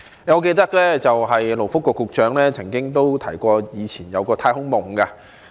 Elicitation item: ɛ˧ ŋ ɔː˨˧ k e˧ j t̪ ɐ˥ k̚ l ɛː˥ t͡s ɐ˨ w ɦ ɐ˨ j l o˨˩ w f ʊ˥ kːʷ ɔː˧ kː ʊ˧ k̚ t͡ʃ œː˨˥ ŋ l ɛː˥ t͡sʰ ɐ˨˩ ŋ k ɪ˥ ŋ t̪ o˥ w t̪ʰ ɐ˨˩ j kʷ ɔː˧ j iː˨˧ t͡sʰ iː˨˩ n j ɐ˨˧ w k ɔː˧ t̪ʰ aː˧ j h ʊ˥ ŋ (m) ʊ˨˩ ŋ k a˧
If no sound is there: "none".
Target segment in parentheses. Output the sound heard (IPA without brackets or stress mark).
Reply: m